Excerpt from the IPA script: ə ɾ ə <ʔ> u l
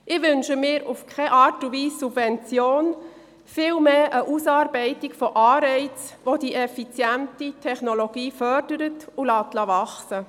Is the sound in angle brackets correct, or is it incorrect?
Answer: incorrect